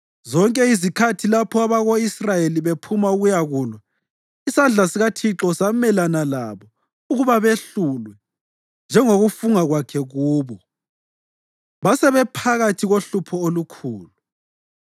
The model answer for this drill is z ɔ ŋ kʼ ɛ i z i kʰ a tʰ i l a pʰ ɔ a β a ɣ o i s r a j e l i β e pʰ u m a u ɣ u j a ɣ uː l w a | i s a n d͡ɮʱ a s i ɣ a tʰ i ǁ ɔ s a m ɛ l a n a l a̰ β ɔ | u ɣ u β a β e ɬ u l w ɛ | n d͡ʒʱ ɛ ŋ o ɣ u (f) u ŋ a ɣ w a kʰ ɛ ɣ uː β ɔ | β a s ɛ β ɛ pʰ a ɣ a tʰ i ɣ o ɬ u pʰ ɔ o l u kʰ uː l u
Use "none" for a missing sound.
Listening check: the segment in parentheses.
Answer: f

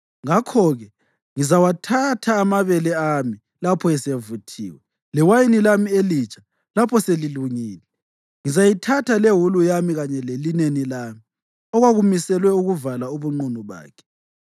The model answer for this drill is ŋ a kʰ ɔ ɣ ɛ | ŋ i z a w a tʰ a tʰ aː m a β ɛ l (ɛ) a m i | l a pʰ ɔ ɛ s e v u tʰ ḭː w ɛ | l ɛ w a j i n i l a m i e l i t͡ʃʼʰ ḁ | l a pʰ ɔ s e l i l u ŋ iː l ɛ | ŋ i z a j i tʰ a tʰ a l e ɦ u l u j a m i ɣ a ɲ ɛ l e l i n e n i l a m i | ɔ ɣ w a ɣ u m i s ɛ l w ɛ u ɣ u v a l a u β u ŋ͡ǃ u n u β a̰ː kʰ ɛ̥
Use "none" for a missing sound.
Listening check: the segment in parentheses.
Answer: ɛ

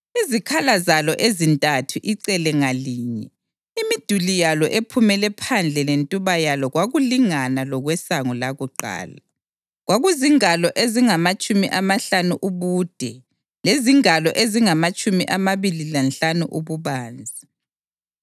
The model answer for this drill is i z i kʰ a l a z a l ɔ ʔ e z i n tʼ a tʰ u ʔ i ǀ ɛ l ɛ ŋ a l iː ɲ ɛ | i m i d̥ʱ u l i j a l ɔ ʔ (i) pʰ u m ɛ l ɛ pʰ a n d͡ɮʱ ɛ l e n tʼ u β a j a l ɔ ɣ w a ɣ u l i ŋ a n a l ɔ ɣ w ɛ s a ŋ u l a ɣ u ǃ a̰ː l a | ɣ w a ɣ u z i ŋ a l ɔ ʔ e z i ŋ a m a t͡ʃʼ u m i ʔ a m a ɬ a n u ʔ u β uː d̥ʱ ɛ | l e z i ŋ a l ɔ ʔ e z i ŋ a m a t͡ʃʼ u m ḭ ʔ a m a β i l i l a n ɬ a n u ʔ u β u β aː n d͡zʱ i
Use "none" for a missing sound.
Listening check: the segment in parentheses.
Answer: e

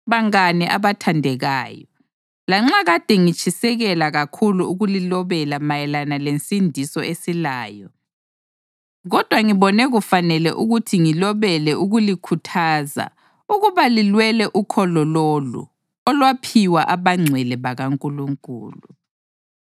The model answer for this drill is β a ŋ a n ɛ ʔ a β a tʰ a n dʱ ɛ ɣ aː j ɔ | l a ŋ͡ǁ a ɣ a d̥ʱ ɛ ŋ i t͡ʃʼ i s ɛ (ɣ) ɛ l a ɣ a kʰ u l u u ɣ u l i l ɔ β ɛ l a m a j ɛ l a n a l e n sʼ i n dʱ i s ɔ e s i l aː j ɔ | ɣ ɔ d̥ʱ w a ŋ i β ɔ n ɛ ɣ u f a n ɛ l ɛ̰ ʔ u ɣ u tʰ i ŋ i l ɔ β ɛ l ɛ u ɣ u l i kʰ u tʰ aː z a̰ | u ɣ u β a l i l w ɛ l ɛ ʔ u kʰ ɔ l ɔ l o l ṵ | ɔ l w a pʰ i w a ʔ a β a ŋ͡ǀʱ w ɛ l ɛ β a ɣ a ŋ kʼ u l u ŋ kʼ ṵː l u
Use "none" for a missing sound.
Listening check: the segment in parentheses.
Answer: ɣ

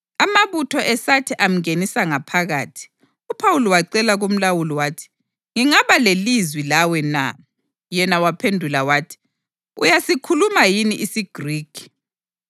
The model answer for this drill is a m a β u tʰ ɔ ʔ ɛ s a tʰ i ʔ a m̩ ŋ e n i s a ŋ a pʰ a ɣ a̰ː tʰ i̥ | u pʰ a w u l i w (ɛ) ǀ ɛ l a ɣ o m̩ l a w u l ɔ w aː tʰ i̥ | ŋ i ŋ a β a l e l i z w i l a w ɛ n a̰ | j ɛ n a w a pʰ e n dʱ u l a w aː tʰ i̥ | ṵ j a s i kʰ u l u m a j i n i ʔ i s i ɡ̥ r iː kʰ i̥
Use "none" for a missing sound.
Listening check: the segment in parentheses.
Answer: a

